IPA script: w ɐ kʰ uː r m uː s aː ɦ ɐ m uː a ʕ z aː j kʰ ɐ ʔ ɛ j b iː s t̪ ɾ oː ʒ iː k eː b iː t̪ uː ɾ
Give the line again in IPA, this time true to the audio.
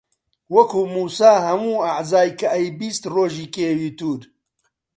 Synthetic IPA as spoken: w ɐ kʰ uː m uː s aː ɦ ɐ m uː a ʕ z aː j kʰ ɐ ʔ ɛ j b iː s t̪ r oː ʒ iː k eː w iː t̪ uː ɾ